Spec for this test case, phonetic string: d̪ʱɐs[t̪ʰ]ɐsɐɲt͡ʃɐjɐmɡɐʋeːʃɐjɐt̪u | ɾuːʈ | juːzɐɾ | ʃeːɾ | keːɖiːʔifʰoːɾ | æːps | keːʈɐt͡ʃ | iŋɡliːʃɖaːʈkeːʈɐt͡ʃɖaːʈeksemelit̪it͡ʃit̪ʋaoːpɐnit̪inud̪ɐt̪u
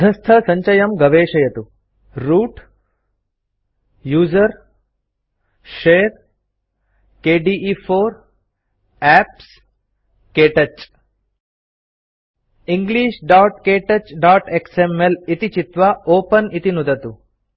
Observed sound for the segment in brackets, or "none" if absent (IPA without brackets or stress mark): t̪ʰ